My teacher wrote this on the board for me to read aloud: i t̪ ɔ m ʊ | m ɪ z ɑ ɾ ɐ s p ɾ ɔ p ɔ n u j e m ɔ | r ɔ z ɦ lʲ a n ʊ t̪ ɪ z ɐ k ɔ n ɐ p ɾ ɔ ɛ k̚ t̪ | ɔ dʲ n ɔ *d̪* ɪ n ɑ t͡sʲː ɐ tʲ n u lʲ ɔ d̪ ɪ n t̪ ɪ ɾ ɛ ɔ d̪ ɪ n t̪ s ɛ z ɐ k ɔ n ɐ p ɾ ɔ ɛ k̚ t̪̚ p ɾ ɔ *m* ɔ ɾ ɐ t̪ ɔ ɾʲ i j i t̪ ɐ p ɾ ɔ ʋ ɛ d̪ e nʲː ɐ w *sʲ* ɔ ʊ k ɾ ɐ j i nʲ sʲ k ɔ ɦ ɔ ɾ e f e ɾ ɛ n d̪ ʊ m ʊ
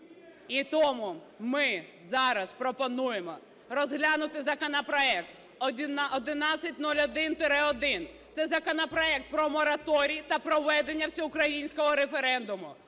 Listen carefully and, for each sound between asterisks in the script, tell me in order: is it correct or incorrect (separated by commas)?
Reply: correct, correct, correct